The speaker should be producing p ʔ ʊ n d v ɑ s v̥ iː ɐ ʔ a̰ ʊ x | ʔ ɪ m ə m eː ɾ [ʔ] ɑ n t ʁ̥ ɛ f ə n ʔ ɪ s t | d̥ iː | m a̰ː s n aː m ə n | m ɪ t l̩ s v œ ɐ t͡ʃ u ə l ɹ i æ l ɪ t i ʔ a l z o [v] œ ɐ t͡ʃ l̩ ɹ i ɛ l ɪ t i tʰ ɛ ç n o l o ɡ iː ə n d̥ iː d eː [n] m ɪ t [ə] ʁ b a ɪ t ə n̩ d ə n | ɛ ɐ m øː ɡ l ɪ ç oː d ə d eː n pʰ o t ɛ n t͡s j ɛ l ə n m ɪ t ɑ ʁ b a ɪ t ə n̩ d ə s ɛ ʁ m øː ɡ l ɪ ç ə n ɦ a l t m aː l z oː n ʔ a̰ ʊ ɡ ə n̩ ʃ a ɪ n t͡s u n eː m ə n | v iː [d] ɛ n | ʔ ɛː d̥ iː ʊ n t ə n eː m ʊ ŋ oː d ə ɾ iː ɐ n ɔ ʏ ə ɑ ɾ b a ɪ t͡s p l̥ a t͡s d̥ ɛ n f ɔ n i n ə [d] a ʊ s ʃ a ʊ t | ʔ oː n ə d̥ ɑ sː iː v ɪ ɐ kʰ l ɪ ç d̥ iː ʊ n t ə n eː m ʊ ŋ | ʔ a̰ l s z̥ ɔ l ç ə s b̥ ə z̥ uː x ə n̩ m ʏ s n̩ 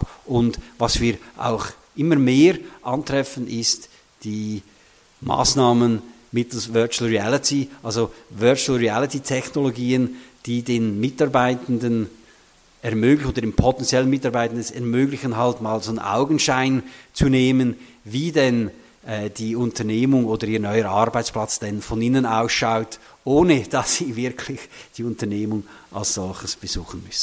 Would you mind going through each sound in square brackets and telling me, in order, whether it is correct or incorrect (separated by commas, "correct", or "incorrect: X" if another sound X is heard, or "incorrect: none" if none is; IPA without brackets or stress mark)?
correct, correct, correct, incorrect: ɑ, correct, incorrect: n